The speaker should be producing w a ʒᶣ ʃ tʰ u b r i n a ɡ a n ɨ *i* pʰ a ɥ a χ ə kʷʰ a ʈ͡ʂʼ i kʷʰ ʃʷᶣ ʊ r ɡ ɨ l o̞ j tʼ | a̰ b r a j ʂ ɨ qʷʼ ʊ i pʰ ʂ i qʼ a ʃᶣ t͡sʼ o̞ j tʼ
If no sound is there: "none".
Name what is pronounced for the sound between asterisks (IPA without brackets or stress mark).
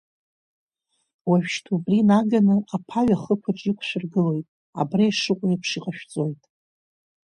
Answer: a